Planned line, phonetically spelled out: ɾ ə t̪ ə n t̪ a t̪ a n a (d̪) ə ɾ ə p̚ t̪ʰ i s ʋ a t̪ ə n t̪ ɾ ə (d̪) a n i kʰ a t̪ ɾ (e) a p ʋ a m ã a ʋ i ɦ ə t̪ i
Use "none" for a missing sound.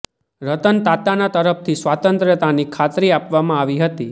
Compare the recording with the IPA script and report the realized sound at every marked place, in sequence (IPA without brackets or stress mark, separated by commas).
t̪, t̪, i